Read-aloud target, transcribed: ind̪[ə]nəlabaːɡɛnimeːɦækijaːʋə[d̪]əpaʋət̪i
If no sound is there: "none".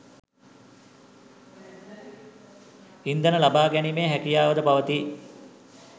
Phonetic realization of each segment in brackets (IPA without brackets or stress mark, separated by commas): ə, d̪